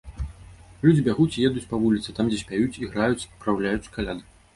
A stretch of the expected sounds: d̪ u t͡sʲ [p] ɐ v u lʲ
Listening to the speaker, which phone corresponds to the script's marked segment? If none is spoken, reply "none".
p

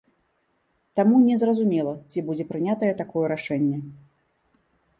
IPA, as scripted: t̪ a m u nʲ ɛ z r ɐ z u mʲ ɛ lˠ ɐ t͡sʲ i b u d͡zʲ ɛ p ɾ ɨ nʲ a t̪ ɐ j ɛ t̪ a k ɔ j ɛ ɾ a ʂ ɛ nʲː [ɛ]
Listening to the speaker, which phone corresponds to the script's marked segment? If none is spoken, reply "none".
ɛ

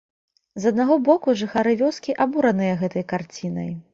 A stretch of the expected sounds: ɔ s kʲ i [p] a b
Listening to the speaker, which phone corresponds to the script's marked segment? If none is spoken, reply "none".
ʔ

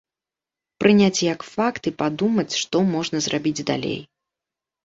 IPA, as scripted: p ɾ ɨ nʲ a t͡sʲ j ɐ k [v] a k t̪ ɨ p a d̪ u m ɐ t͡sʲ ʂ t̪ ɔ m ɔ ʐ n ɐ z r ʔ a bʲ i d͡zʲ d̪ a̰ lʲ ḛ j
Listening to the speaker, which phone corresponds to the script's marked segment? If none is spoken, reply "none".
f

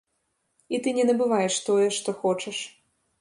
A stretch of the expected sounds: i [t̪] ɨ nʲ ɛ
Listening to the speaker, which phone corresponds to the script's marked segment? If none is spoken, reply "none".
t̪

